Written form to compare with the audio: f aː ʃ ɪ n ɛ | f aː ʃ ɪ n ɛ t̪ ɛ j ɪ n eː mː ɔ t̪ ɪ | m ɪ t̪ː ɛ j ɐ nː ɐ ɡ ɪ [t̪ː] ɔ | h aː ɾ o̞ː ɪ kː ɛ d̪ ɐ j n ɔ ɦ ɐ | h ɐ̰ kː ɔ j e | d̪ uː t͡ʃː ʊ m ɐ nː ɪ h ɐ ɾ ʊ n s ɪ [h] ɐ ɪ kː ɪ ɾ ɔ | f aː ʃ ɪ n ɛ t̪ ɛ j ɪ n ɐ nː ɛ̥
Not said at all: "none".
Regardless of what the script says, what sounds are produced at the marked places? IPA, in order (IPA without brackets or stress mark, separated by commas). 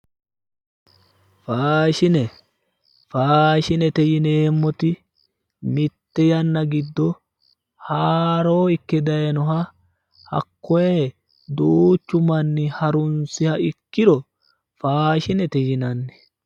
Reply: d̪ː, h